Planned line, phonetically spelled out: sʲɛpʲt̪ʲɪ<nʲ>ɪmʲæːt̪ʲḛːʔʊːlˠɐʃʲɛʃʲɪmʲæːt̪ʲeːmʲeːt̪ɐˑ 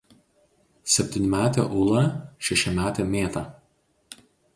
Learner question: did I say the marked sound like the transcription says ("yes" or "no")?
yes